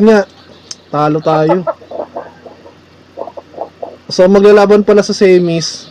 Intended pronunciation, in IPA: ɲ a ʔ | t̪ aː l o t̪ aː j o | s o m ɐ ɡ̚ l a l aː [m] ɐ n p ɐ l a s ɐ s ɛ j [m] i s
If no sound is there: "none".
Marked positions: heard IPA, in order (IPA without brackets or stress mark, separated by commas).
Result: b, m